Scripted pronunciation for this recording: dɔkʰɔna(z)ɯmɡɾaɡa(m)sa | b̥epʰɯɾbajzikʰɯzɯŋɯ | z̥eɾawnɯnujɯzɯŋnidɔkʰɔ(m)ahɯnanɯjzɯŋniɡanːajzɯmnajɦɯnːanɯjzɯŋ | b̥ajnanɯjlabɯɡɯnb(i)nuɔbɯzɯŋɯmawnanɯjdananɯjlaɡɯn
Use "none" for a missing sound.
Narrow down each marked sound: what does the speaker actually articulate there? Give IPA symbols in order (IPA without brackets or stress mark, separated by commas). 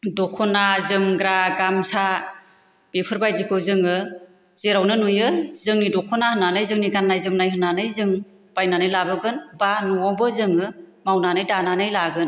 z, m, n, a